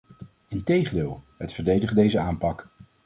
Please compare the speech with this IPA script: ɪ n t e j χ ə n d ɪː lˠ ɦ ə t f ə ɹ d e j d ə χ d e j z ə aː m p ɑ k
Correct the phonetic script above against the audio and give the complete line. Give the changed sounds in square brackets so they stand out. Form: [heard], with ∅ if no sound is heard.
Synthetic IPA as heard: ɪ n t e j χ ə n d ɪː lˠ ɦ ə t f ə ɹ d e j d ə χ d e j z ə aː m p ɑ k